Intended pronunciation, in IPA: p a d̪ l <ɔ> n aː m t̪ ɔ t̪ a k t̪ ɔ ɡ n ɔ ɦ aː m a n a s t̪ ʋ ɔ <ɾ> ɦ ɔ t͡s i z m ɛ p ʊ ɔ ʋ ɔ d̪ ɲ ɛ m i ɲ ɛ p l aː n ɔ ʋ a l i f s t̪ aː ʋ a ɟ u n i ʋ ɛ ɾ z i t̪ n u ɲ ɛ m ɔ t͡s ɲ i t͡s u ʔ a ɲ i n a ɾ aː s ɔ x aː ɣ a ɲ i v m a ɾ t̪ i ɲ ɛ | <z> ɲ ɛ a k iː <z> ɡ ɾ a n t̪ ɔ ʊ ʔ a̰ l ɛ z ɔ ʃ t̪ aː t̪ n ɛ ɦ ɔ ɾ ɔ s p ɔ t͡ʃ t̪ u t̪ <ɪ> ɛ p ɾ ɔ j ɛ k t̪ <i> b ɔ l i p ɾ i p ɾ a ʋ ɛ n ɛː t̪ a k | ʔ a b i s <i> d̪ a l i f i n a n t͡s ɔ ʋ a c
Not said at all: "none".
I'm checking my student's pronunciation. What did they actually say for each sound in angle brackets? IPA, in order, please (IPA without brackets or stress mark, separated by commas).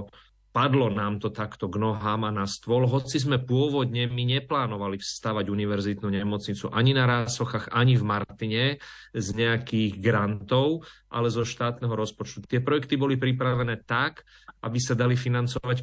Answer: ɔ, l, z, ɣ, ɪ, i, a